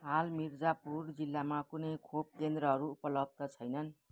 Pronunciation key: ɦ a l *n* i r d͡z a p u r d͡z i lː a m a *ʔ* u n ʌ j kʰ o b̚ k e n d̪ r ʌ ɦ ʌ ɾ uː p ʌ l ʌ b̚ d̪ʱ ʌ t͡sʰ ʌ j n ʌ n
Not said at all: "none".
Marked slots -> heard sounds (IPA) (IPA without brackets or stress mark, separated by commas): m, k